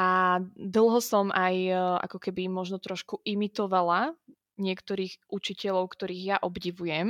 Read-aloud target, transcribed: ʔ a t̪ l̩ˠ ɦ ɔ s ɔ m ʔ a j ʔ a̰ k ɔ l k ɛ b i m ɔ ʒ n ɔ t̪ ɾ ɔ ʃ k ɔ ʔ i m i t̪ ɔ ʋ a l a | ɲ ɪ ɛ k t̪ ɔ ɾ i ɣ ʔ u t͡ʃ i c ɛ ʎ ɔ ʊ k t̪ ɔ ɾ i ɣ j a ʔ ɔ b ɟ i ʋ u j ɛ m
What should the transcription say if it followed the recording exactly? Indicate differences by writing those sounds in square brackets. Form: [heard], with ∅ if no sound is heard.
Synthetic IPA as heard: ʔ a [d̪] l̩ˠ ɦ ɔ s ɔ m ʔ a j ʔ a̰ k ɔ [∅] k ɛ b i m ɔ ʒ n ɔ t̪ ɾ ɔ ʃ k [u] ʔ i m i t̪ ɔ ʋ a l a | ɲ ɪ ɛ k t̪ ɔ ɾ [iː] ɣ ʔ u t͡ʃ i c ɛ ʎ ɔ ʊ k t̪ ɔ ɾ [iː] ɣ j a ʔ ɔ b ɟ i ʋ u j ɛ m